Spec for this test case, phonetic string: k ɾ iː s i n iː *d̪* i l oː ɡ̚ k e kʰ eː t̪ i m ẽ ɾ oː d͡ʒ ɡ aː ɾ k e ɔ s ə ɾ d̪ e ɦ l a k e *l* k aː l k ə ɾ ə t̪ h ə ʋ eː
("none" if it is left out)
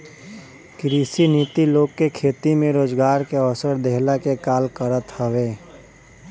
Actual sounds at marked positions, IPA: t̪, none

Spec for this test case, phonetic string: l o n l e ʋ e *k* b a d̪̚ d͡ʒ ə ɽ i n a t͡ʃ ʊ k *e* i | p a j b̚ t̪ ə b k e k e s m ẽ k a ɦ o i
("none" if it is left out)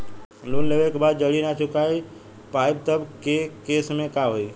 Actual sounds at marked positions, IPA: k, a

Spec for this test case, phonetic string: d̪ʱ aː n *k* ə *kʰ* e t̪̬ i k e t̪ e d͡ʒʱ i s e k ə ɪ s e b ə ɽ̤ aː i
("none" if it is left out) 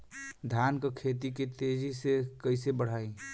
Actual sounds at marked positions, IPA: k, kʰ

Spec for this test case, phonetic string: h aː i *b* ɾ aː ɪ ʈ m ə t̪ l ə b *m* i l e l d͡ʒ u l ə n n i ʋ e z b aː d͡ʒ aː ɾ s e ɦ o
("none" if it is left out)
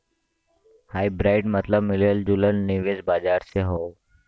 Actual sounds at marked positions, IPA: b, m

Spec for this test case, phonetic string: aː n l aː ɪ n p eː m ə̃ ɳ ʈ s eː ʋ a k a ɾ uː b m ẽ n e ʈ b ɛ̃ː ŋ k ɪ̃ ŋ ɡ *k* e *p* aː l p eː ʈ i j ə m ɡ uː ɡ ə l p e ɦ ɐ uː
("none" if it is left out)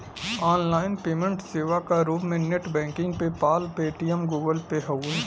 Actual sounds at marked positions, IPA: p, p

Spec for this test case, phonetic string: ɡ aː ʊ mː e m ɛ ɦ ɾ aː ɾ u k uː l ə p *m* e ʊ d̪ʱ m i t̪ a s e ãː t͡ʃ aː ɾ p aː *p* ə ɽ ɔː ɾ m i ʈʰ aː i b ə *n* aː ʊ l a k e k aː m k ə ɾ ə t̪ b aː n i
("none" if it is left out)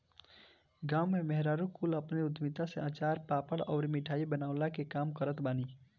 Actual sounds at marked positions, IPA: n, p, n

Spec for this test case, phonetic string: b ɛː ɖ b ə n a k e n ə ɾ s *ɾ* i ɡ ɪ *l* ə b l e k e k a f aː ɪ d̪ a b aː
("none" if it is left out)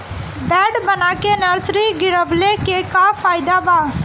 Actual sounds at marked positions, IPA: ɾ, ɾ

